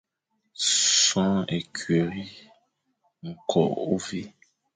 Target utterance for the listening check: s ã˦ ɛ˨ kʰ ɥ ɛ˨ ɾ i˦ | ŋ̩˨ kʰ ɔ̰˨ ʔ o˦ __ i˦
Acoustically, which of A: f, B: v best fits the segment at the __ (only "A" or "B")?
B